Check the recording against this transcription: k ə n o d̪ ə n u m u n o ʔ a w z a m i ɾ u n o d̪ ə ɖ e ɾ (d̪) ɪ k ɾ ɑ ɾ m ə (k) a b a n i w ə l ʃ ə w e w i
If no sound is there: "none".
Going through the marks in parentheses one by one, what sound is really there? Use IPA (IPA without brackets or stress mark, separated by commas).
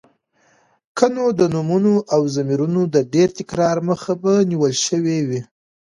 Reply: t̪, x